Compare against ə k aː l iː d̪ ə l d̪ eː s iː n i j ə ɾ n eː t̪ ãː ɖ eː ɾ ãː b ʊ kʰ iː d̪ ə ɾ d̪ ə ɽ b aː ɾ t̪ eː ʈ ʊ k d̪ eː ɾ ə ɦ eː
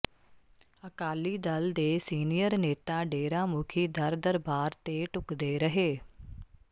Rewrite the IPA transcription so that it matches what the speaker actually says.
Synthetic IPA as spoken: ə k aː l iː d̪ ə l d̪ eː s iː n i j ə ɾ n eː t̪ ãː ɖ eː ɾ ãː m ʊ kʰ iː d̪ ə ɾ d̪ ə ɾ b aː ɾ t̪ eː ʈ ʊ k d̪ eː ɾ ə ɦ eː